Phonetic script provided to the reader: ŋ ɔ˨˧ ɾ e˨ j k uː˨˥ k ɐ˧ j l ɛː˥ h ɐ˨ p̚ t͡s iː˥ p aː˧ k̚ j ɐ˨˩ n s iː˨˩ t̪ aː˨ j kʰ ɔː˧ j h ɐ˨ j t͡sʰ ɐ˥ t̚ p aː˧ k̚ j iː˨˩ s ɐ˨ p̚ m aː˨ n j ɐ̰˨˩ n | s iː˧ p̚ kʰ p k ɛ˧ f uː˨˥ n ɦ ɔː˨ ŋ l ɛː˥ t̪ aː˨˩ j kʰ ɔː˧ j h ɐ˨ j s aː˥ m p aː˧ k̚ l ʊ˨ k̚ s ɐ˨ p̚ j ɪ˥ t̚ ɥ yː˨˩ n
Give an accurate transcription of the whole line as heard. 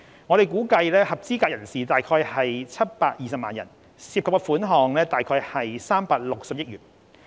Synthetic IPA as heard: ŋ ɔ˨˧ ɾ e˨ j k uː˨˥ k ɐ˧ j l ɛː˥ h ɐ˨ p̚ t͡s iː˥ k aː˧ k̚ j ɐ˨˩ n s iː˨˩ t̪ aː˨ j kʰ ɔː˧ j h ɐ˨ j t͡sʰ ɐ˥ t̚ p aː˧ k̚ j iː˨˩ s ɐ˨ p̚ m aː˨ n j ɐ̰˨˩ n | s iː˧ p̚ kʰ p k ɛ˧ f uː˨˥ n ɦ ɔː˨ ŋ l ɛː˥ t̪ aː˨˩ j kʰ ɔː˧ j h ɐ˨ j s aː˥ m p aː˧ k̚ l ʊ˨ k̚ s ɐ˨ p̚ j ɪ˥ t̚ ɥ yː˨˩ n